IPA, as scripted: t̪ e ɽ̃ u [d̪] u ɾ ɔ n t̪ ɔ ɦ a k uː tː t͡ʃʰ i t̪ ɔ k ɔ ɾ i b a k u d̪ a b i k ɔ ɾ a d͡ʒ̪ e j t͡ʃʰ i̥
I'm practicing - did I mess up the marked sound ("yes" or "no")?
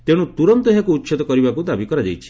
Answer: yes